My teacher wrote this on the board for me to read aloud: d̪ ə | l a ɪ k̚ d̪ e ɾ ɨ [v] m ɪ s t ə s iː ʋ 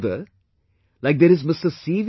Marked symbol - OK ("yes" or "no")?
no